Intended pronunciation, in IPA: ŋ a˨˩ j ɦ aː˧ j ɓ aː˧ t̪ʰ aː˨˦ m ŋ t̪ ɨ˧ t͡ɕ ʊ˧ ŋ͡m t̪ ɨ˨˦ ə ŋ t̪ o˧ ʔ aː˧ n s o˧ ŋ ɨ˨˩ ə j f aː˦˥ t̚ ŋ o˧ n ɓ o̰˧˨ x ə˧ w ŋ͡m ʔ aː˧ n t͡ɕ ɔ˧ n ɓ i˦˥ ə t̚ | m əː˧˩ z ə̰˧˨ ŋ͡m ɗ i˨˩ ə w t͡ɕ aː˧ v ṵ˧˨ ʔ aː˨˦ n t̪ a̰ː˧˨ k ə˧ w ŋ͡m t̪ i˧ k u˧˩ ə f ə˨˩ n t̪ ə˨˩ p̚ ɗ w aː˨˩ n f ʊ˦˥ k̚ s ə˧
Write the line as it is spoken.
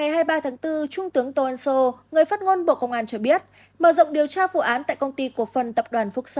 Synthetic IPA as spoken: ŋ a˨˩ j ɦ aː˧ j ɓ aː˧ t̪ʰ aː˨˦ ŋ t̪ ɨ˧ t͡ɕ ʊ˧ ŋ͡m t̪ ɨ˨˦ ə ŋ t̪ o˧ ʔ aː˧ n s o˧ ŋ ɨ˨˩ ə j f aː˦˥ t̚ ŋ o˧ n ɓ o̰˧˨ k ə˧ w ŋ͡m ʔ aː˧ n t͡ɕ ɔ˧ ɓ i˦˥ ə t̚ | m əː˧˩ z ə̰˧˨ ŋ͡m ɗ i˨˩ ə w t͡ɕ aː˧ v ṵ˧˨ ʔ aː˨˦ n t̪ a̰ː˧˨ k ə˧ w ŋ͡m t̪ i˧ k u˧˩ ə f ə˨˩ n t̪ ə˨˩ p̚ ɗ w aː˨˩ n f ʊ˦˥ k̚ s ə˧